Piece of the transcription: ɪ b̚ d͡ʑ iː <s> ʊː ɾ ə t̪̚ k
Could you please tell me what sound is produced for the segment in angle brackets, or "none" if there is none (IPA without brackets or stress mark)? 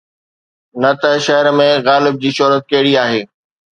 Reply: ʃ